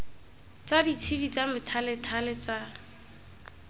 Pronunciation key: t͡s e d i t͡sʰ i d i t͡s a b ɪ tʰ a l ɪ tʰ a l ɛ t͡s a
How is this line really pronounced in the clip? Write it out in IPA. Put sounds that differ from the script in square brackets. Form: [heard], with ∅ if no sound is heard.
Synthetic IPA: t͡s [a] d i t͡sʰ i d i t͡s a [m] ɪ tʰ a l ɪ tʰ a l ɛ t͡s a